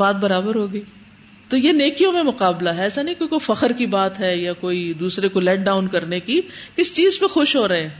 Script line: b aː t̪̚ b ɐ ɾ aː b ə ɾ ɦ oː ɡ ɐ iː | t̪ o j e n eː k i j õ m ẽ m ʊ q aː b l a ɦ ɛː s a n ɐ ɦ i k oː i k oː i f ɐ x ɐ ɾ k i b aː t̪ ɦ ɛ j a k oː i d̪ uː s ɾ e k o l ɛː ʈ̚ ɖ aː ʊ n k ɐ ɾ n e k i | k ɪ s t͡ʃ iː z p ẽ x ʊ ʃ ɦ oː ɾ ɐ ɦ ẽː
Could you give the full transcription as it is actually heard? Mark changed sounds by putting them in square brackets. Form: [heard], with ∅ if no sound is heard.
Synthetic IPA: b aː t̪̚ b ɐ ɾ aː b ə ɾ ɦ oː ɡ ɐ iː | t̪ o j e n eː k i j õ m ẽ m ʊ q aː b l a ɦ ɛː s a n ɐ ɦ [ĩ] k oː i k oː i f ɐ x [ə] ɾ k i b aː t̪ ɦ ɛ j a k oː i d̪ uː s ɾ e k o l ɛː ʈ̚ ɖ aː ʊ n k ɐ ɾ n e k i | k ɪ s t͡ʃ iː z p ẽ x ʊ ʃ ɦ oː ɾ ɐ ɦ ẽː